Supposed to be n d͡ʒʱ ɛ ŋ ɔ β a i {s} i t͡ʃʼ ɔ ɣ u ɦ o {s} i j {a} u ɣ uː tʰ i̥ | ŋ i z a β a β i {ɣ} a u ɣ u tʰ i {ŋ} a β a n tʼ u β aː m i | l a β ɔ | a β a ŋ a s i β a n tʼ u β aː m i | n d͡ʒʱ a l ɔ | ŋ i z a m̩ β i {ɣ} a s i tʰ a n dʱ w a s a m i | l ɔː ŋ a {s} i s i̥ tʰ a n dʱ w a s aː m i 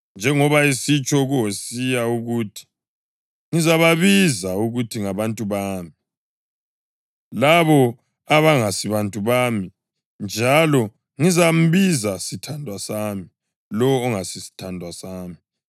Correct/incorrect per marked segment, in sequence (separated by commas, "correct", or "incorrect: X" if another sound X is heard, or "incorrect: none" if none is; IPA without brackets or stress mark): correct, correct, correct, incorrect: z, correct, incorrect: z, correct